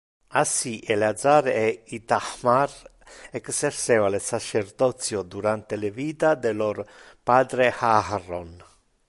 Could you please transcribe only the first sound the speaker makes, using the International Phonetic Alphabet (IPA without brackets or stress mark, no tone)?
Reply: a